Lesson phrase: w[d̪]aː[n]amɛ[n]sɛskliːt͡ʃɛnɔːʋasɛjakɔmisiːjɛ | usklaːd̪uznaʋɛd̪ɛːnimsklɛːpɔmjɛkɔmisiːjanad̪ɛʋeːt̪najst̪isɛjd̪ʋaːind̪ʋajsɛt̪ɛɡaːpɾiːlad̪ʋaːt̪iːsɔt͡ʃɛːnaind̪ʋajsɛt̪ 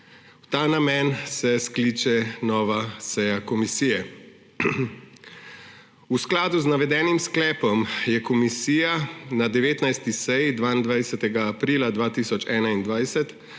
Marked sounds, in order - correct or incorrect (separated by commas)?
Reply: incorrect, correct, correct